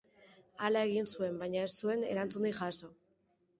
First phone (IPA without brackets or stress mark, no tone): a